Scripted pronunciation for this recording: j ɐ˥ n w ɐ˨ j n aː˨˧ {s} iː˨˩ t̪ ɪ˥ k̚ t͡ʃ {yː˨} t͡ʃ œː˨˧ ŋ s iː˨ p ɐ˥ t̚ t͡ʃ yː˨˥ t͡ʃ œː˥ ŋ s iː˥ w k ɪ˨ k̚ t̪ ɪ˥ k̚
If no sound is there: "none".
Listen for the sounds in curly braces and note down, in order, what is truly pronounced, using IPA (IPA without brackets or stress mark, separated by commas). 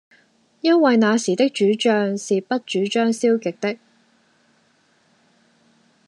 s, yː˨˥